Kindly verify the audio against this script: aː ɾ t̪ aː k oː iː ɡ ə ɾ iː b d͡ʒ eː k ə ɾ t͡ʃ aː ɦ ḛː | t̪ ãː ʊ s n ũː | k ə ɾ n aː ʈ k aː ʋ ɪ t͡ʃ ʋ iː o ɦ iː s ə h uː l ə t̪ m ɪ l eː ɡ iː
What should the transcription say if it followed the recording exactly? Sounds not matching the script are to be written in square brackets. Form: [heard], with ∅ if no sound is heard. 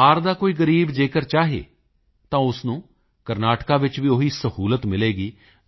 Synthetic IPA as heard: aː ɾ [d̪] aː k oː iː ɡ ə ɾ iː b d͡ʒ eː k ə ɾ t͡ʃ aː ɦ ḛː | t̪ ãː ʊ s n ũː | k ə ɾ n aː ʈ k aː ʋ ɪ t͡ʃ ʋ iː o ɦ iː s ə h uː l ə t̪ m ɪ l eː ɡ iː